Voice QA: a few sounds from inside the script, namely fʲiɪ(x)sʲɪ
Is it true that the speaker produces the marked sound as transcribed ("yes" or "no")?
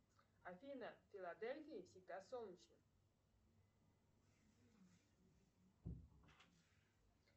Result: no